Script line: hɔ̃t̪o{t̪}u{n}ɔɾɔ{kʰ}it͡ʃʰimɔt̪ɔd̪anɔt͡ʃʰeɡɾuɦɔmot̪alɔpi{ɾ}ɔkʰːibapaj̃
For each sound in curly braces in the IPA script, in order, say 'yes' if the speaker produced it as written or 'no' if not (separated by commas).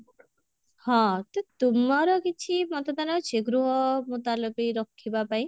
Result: yes, no, no, yes